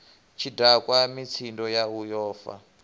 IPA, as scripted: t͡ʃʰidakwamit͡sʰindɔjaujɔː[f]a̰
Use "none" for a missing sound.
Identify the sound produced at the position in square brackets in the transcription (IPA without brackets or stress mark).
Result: f